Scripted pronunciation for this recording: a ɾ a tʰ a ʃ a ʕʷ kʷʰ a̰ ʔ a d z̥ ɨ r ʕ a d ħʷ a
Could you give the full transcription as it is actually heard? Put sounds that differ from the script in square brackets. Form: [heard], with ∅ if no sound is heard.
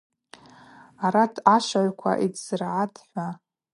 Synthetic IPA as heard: a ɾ a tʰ a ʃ a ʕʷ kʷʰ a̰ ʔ [i] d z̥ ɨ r ʕ a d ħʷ a